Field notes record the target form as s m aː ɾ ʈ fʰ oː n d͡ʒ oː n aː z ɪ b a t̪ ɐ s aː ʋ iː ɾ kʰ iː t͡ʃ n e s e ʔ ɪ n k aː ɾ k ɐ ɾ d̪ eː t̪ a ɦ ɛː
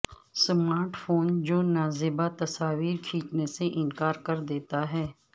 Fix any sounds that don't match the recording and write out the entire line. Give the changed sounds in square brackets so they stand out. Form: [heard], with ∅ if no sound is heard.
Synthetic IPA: s m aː ɾ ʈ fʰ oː n d͡ʒ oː n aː z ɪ b a t̪ ɐ s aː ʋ iː ɾ kʰ iː t͡ʃ n e s e ʔ ɪ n k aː ɾ k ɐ ɾ d̪ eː t̪ a ɦ ɛː